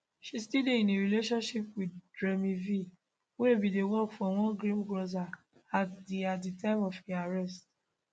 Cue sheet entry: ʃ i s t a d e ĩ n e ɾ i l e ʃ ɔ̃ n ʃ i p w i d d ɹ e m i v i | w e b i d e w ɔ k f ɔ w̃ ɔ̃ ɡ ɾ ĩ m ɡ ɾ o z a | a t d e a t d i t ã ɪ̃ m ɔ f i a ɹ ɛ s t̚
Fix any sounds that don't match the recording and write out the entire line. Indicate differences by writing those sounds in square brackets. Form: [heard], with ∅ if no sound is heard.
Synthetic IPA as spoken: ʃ i s t [i] d e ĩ n e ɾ i l e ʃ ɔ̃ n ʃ i p w i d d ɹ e m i v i | w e b i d e w ɔ k f ɔ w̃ ɔ̃ ɡ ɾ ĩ m ɡ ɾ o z a | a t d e a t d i t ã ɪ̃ m ɔ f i a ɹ ɛ s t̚